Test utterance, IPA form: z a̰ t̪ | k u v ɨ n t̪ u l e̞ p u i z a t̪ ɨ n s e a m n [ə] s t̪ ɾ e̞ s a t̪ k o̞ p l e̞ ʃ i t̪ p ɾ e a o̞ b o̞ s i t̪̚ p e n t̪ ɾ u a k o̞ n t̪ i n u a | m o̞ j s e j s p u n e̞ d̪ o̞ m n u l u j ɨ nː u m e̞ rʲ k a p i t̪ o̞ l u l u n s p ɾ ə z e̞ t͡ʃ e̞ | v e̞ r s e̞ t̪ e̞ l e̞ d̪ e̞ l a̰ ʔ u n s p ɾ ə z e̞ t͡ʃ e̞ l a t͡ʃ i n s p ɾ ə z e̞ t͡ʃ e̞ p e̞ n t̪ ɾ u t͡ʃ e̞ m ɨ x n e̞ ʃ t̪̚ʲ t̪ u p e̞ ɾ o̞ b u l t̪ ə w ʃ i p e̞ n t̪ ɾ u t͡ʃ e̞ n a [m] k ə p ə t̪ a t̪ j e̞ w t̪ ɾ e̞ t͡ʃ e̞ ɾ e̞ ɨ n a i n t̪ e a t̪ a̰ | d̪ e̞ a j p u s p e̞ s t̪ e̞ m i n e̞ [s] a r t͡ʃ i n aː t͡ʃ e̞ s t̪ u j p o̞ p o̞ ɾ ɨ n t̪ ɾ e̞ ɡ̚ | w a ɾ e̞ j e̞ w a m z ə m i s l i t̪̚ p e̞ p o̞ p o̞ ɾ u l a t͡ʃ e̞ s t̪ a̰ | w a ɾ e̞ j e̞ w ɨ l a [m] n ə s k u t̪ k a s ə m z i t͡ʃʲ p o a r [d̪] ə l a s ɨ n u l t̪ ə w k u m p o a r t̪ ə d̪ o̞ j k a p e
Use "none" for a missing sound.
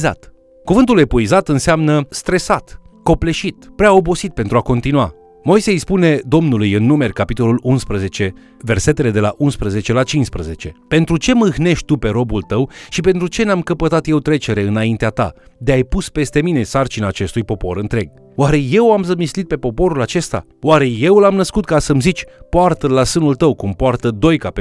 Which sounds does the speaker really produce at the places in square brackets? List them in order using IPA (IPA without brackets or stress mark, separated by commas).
ə, m, s, m, t̪